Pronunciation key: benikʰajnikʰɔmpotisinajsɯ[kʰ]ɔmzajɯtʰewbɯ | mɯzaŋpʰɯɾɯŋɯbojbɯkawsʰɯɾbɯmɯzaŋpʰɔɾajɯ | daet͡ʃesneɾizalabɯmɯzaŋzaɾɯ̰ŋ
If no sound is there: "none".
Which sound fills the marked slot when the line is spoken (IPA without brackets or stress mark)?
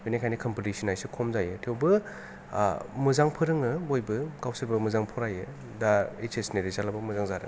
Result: kʰ